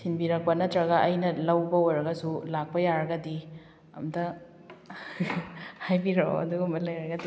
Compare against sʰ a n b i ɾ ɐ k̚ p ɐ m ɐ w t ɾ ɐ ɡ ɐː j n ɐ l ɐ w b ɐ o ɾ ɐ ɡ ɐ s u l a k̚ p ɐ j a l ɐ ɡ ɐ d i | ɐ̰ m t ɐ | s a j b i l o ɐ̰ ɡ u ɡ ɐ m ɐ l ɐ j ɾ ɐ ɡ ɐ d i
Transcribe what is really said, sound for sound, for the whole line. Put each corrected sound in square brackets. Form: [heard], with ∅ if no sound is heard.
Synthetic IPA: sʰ [i] n b i ɾ ɐ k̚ p ɐ [n] ɐ [∅] t ɾ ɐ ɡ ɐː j n ɐ l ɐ w b ɐ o ɾ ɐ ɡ ɐ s u l a k̚ p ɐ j a [ɾ] ɐ ɡ ɐ d i | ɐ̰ m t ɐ | [h] a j b i [ɾ] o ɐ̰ [d] u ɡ ɐ m ɐ l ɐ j ɾ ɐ ɡ ɐ d i